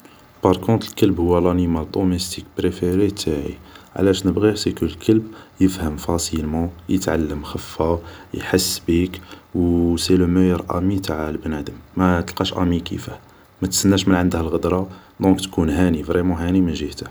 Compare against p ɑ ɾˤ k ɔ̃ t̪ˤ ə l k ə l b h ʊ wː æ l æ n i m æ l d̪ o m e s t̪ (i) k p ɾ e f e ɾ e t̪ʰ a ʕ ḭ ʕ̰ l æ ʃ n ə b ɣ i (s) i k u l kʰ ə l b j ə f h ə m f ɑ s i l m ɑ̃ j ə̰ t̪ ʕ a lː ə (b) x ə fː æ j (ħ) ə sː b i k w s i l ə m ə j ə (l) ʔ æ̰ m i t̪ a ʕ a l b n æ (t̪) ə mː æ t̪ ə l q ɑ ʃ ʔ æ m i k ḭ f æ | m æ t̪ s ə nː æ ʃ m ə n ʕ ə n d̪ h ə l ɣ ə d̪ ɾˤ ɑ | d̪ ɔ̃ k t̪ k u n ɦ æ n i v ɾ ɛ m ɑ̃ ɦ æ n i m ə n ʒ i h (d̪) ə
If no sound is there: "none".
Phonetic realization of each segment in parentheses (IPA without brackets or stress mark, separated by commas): i, s, m, ħ, ɾ, d̪, t̪